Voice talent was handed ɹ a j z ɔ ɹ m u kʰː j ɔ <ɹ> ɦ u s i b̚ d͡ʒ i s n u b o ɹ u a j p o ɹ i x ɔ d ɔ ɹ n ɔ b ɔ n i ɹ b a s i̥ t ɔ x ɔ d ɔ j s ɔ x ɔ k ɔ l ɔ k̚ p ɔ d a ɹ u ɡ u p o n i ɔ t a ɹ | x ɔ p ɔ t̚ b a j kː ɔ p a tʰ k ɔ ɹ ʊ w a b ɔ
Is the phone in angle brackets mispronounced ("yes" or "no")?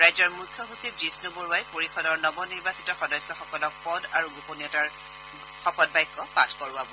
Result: yes